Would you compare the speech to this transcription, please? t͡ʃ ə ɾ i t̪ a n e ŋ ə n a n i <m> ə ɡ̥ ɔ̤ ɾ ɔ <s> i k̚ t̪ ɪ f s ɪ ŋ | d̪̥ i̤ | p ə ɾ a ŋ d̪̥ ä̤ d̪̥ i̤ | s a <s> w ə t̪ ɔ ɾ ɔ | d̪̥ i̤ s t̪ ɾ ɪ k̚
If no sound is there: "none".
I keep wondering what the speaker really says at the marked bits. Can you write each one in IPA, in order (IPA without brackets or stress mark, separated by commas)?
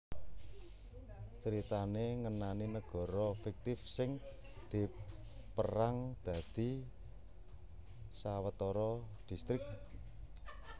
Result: n, f, none